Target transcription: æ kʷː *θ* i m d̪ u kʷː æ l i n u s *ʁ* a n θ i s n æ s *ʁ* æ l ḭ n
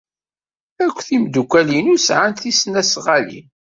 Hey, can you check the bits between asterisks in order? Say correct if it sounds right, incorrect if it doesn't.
correct, incorrect, correct

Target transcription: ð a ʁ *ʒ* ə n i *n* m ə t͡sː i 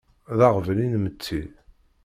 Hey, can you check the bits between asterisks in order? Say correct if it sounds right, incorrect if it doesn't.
incorrect, correct

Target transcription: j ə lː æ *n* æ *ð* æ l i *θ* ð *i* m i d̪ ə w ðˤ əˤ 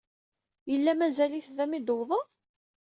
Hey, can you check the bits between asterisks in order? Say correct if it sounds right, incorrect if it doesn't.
incorrect, incorrect, correct, incorrect

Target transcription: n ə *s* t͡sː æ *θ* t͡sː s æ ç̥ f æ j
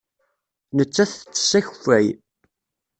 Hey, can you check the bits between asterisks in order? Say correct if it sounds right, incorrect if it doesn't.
incorrect, correct

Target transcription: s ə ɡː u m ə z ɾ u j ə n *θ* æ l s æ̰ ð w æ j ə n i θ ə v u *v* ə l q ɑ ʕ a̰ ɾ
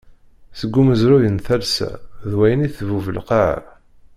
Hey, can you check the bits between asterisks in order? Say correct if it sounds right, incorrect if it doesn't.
correct, correct

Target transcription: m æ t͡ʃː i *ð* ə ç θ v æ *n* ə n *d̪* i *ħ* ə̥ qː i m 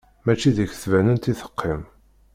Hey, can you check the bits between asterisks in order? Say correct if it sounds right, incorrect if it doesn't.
correct, correct, incorrect, incorrect

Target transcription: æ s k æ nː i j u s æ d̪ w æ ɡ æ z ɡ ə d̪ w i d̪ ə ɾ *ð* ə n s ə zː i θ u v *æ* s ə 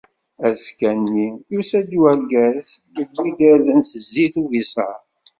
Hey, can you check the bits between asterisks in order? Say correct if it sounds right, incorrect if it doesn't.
correct, incorrect

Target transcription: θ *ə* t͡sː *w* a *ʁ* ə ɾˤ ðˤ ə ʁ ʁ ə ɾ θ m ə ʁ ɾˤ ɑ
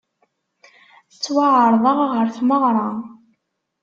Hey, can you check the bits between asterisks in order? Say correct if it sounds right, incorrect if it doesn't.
correct, correct, incorrect

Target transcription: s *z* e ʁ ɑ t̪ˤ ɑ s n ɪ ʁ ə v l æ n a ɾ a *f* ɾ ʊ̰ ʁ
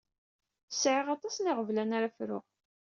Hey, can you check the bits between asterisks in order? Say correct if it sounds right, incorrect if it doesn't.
incorrect, correct

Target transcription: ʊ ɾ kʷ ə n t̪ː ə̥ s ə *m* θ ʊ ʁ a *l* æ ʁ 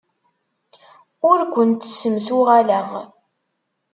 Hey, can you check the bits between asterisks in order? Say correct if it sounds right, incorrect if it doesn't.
correct, correct

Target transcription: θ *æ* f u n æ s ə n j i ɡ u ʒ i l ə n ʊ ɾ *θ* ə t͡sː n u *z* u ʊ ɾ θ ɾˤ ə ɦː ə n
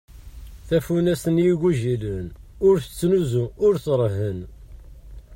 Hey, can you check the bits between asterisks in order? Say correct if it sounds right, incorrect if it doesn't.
correct, correct, correct

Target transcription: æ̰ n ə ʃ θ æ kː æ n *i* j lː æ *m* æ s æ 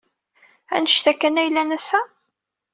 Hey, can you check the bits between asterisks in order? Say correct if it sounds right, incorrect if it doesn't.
incorrect, incorrect

